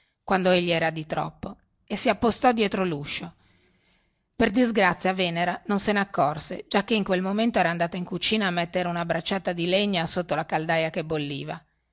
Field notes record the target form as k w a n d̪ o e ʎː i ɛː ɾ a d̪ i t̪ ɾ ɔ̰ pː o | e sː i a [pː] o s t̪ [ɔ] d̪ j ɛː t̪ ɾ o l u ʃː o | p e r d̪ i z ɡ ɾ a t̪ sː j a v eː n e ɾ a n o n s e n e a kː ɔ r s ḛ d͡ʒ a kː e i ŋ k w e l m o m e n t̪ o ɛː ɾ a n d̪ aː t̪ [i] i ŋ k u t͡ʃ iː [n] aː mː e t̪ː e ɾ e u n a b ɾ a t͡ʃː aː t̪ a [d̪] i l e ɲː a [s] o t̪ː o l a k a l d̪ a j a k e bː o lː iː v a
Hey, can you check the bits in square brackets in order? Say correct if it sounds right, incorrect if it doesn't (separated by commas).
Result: correct, correct, incorrect, correct, correct, correct